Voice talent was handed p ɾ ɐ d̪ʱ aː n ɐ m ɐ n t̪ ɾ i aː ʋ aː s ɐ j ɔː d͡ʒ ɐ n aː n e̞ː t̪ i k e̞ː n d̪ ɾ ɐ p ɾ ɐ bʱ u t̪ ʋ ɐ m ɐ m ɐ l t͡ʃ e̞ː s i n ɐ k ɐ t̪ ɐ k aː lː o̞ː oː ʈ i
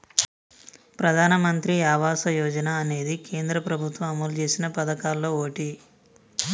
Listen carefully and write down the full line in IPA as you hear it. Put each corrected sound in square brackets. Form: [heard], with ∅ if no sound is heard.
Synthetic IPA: p ɾ ɐ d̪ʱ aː n ɐ m ɐ n t̪ ɾ i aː ʋ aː s ɐ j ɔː d͡ʒ ɐ n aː n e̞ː [d̪] i k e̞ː n d̪ ɾ ɐ p ɾ ɐ bʱ u t̪ ʋ ɐ m ɐ m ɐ l t͡ʃ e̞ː s i n ɐ [p] ɐ [d̪] ɐ k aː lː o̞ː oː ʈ i